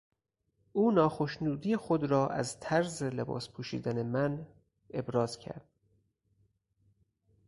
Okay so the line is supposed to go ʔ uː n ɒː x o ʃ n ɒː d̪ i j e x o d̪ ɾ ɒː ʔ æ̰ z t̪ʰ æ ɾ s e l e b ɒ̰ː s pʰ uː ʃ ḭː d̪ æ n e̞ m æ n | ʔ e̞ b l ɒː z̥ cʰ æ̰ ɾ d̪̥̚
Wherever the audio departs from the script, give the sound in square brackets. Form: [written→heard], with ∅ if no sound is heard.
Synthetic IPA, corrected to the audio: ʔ uː n ɒː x o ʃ n [ɒː→uː] d̪ i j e x o d̪ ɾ ɒː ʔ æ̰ z t̪ʰ æ ɾ [s→z] e l e b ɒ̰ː s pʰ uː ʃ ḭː d̪ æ n e̞ m æ n | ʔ e̞ b [l→ɾ] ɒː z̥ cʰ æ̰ ɾ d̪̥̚